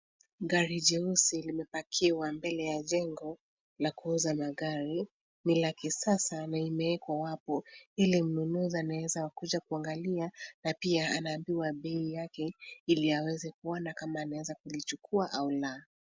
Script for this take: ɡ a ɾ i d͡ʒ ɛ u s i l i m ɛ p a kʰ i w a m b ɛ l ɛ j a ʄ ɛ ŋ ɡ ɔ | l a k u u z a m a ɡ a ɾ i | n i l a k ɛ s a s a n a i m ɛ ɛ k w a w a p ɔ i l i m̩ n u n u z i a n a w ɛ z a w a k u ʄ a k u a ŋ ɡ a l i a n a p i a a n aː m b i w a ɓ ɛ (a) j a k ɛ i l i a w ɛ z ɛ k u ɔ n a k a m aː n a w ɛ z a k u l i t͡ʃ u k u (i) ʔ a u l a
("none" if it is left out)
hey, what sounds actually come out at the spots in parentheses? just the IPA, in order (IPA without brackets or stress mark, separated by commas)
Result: i, a